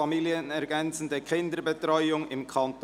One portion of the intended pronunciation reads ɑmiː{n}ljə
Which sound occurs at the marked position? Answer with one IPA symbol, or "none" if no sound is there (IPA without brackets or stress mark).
none